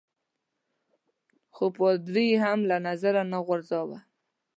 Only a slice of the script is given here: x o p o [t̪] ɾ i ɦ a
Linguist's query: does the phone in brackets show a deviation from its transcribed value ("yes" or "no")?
yes